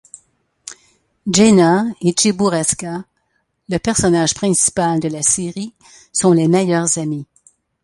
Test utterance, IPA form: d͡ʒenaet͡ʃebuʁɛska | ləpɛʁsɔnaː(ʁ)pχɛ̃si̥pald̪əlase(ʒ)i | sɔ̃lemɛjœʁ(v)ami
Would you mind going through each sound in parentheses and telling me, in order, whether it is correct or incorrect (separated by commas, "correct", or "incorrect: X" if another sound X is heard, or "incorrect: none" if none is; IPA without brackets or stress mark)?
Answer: incorrect: ʒ, incorrect: ʁ, incorrect: z